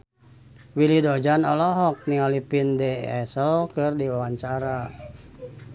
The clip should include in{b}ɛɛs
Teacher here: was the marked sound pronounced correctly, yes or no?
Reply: no